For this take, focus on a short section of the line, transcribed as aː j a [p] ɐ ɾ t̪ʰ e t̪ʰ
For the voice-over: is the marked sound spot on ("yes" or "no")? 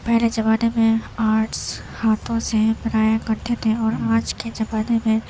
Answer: no